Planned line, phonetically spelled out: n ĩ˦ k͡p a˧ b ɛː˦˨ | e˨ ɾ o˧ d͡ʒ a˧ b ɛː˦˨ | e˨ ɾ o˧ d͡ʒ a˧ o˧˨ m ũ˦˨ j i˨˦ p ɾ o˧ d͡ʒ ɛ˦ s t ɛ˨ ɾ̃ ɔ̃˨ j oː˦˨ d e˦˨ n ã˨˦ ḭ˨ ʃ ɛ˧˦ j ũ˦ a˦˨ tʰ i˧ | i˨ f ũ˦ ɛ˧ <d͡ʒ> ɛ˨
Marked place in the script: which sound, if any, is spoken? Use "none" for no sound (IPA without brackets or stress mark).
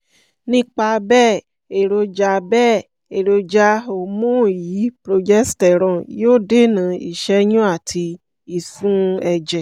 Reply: d͡ʒ